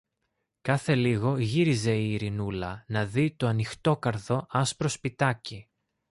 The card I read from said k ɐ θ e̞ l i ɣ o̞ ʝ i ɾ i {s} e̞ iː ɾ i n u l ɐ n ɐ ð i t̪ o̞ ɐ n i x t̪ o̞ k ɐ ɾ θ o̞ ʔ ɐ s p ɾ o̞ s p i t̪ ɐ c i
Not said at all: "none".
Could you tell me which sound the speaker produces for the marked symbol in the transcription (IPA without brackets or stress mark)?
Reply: z